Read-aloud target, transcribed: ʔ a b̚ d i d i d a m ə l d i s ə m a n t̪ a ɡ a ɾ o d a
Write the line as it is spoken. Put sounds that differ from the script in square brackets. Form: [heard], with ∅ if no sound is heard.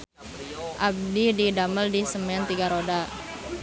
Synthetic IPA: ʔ a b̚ d i d i d a m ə l d i s ə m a n t̪ [i] ɡ a ɾ o d a